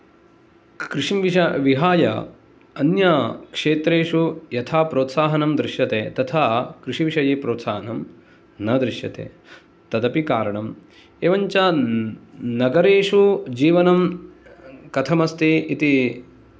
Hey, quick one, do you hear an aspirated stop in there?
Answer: yes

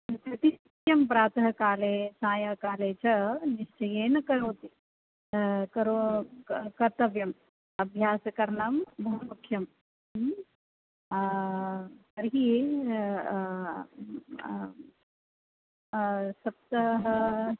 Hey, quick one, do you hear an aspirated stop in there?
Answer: yes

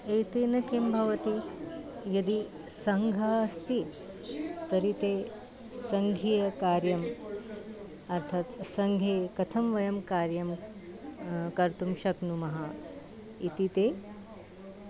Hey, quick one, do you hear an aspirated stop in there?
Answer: yes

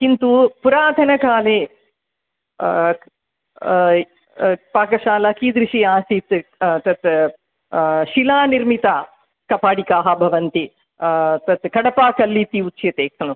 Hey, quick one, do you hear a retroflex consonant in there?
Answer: yes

